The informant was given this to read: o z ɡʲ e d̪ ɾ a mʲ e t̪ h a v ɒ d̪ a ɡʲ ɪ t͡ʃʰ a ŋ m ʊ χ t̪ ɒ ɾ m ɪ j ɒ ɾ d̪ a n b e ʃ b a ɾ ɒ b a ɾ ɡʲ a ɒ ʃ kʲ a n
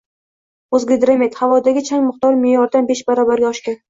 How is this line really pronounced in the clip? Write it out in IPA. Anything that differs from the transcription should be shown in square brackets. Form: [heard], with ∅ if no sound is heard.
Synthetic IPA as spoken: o z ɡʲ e d̪ ɾ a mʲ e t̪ h a v ɒ d̪ a ɡʲ ɪ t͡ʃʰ a ŋ m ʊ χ t̪ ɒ ɾ m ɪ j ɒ ɾ d̪ a n b e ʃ b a ɾ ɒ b a ɾ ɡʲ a ɒ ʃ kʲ a n